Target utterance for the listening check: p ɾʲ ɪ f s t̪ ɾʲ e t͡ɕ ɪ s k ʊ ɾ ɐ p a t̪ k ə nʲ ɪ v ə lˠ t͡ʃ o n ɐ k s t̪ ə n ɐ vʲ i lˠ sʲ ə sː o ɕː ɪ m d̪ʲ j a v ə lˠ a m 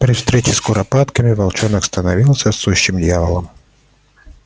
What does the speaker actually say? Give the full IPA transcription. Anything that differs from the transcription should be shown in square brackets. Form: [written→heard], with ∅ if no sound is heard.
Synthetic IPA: p ɾʲ ɪ f s t̪ ɾʲ e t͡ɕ ɪ s k ʊ ɾ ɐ p a t̪ k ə [nʲ→mʲ] ɪ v [ə→ɐ] lˠ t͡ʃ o n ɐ k s t̪ ə n ɐ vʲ i lˠ sʲ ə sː [o→u] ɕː ɪ m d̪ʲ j a v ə lˠ [a→ə] m